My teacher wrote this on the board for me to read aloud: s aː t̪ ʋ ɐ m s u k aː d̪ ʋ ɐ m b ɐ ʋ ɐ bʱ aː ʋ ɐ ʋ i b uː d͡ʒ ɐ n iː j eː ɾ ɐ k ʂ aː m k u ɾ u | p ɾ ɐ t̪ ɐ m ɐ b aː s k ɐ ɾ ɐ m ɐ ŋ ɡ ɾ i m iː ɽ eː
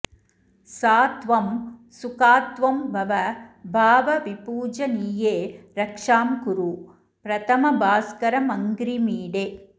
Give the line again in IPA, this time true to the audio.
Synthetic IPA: s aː t̪ ʋ ɐ m s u k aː t̪ ʋ ɐ m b ɐ ʋ ɐ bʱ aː ʋ ɐ ʋ i p uː d͡ʒ ɐ n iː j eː ɾ ɐ k ʂ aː m k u ɾ u | p ɾ ɐ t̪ ɐ m ɐ b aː s k ɐ ɾ ɐ m ɐ ŋ ɡ ɾ i m iː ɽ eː